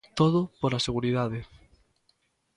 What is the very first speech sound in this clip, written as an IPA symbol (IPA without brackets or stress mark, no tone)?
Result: t̪